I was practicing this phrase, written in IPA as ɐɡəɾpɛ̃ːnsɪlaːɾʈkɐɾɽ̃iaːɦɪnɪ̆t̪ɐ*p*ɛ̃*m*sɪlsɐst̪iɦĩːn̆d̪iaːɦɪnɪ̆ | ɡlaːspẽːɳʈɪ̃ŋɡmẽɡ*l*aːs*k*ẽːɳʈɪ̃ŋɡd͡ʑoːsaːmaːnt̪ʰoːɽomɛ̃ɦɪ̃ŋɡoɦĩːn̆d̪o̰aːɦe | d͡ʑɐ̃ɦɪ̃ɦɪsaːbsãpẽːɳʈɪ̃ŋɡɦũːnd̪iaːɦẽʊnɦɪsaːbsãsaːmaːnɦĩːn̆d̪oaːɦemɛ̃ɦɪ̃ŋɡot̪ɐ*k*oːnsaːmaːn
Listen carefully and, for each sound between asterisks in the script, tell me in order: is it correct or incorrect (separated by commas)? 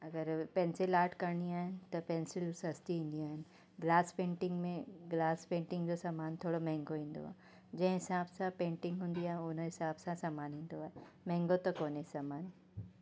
correct, incorrect, correct, incorrect, correct